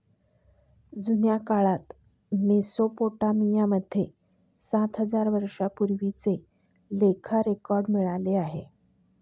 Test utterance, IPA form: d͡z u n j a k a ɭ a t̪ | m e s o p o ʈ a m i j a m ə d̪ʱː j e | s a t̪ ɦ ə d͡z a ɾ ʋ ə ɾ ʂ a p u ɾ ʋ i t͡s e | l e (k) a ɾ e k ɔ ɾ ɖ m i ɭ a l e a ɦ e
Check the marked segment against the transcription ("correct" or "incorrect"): incorrect